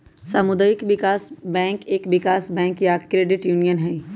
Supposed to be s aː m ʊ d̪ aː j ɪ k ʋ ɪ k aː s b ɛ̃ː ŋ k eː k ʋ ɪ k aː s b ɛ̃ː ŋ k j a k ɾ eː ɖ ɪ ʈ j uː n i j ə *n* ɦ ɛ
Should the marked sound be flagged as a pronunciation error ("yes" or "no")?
no